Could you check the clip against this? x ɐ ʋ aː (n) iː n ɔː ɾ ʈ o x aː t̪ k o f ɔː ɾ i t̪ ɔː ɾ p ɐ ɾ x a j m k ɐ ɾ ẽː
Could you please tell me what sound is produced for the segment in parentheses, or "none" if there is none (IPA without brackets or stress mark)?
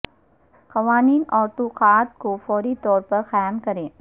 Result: n